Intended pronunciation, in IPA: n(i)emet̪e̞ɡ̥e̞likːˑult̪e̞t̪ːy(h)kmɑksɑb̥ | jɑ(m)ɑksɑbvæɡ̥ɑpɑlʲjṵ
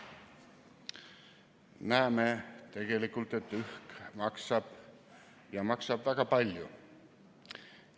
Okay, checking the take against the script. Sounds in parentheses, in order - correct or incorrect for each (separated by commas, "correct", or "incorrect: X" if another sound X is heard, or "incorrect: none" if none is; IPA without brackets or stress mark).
incorrect: æ, correct, correct